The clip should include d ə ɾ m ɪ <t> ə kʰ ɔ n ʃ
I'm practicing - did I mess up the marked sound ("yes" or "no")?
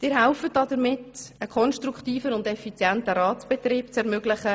no